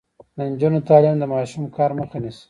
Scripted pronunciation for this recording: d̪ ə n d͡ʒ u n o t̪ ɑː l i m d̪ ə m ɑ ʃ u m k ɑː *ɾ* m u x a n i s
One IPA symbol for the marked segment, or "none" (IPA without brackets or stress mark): ɾ